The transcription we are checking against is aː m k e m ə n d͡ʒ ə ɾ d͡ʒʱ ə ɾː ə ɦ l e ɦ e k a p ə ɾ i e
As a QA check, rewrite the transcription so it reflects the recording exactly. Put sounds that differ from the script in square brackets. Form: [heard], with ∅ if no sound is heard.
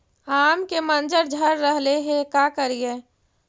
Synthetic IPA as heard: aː m k e m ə n d͡ʒ ə ɾ d͡ʒʱ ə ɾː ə ɦ l e ɦ e k a [k] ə ɾ i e